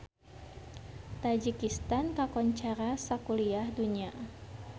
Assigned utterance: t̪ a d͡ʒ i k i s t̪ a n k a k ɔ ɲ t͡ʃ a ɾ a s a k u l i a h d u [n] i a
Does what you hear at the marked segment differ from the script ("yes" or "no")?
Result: yes